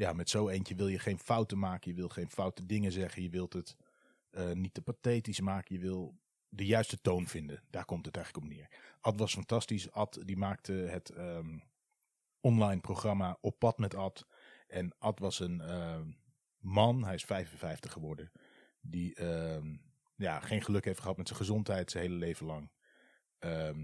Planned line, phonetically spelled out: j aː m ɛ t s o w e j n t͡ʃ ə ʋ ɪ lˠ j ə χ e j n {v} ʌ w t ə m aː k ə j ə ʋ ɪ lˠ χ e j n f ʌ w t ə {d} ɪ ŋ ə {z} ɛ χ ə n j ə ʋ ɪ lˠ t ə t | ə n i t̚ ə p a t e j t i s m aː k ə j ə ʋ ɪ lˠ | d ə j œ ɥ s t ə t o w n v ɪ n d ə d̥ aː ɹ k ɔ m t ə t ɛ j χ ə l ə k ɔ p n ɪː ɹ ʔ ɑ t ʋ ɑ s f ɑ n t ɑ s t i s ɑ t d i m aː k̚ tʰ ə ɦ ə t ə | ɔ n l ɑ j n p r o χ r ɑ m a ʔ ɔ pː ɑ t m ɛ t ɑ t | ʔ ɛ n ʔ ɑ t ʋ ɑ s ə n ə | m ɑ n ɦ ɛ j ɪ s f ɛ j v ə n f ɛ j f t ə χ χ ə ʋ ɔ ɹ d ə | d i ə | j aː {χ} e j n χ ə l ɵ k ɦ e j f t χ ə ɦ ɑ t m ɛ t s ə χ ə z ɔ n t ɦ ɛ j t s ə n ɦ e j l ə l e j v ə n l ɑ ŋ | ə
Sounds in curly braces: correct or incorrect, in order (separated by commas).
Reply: incorrect, correct, correct, correct